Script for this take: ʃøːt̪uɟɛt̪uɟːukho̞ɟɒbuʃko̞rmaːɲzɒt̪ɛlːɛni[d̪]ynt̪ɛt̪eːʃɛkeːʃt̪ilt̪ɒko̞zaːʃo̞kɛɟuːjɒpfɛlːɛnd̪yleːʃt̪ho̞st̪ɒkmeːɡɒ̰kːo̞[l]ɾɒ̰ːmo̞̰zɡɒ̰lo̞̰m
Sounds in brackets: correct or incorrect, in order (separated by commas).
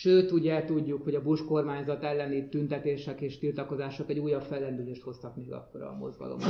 incorrect, incorrect